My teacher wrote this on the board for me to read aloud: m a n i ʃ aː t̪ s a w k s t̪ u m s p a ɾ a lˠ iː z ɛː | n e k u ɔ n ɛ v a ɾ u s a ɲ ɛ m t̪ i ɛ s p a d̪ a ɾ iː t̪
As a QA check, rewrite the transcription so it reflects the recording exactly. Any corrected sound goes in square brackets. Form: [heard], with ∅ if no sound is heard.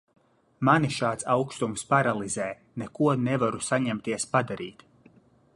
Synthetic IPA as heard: m a n i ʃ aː t̪ s a w k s t̪ u m s p a ɾ a lˠ [i] z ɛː | n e k u ɔ n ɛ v a ɾ u s a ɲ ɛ m t̪ i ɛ s p a d̪ a ɾ iː t̪